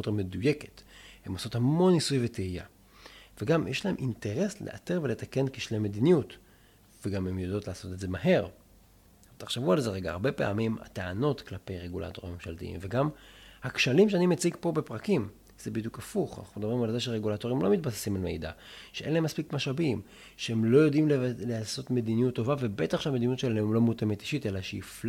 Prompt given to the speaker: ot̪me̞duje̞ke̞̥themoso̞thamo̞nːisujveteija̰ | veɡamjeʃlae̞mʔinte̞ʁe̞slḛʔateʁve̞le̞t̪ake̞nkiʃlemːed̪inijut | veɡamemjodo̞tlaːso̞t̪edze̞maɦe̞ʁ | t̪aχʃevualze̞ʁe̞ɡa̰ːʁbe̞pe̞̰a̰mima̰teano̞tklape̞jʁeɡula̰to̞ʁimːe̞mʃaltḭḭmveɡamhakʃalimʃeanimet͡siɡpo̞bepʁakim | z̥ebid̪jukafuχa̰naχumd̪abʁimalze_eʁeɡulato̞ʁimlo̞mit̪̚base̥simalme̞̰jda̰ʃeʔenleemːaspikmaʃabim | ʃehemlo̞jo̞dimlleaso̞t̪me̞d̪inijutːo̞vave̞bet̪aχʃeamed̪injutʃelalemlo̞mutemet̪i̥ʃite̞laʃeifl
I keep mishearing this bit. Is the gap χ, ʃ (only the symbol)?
ʃ